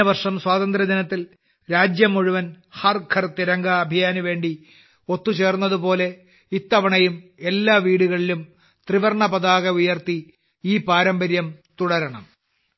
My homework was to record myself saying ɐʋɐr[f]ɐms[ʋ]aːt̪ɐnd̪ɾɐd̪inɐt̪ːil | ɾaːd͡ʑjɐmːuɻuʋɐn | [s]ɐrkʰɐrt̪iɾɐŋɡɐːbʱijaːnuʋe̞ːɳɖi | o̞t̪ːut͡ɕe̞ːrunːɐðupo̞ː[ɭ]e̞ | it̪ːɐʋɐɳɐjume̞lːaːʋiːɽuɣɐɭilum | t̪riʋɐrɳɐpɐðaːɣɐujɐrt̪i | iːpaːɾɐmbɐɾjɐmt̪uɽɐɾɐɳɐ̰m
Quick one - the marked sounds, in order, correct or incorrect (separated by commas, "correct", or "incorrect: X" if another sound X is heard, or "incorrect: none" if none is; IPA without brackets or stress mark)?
incorrect: ʂ, incorrect: w, incorrect: h, incorrect: l